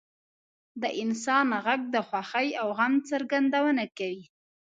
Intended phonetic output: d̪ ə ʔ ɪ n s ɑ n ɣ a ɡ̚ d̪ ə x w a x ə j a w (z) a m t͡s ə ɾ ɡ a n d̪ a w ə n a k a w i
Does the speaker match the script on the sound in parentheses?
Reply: no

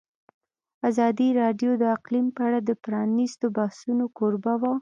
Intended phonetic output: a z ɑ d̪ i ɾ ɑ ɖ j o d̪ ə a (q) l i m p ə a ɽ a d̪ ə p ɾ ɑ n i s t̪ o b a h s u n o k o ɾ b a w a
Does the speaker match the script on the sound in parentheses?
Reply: yes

